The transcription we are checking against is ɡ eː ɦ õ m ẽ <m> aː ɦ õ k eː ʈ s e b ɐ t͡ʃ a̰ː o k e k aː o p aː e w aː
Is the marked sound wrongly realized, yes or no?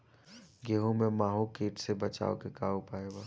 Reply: no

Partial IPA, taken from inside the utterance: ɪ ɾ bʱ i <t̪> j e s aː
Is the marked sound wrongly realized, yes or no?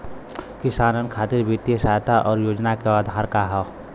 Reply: no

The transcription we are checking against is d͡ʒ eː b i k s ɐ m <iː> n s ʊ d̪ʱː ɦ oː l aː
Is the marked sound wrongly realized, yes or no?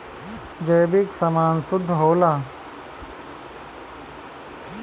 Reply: yes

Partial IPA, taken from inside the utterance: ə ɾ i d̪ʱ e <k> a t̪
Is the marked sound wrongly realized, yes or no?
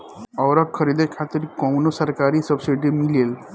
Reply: yes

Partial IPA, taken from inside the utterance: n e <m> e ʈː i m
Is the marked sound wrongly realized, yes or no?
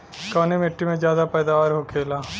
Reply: no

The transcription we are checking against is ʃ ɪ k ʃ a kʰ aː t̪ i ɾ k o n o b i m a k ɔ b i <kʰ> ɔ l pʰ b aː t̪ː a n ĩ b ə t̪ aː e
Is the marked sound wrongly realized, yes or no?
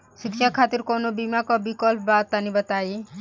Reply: yes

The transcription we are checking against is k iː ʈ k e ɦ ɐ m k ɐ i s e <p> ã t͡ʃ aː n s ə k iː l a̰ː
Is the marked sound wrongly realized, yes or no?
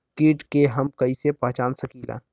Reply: no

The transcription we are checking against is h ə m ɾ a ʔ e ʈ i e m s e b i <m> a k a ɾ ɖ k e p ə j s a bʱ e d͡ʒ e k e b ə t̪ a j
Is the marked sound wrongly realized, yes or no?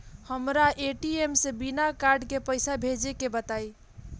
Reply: yes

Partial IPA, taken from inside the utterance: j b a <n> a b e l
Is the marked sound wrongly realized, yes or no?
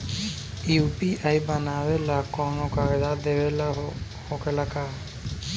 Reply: no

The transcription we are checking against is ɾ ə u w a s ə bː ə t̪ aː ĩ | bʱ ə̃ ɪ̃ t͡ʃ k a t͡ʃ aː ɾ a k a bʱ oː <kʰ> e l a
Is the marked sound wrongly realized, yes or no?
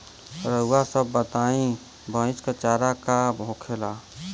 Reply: no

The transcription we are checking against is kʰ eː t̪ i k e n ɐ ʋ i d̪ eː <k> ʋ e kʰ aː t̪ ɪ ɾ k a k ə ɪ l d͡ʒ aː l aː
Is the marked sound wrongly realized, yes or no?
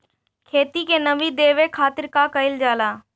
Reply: yes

